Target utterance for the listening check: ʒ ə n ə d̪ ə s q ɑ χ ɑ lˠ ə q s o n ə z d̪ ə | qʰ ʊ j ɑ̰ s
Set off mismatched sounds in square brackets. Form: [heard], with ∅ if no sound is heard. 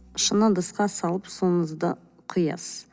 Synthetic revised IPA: [ʃ] ə n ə d̪ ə s q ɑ [s] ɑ lˠ ə [p] s o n ə z d̪ ə | qʰ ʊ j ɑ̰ s